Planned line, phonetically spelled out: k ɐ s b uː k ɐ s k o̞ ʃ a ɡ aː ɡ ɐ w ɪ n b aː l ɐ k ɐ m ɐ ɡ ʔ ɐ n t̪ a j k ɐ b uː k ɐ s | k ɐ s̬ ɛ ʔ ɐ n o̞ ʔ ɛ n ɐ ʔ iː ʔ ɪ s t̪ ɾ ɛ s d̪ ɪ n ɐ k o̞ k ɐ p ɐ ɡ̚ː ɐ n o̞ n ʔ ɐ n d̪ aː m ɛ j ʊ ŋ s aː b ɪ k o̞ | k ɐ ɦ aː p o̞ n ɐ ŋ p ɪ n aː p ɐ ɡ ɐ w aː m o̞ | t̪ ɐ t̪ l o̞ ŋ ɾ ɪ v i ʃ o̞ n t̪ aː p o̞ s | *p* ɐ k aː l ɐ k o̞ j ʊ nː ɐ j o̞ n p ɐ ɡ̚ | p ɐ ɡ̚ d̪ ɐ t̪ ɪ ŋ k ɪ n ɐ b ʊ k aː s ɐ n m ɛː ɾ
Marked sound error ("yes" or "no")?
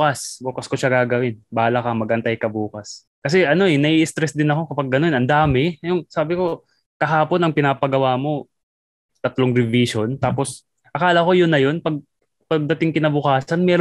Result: yes